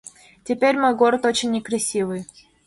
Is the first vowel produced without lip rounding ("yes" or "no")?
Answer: yes